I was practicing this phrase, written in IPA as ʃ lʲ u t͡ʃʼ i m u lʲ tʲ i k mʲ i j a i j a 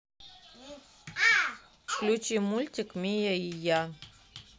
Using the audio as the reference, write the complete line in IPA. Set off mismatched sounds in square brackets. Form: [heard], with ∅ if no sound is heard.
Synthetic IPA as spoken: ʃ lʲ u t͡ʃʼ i m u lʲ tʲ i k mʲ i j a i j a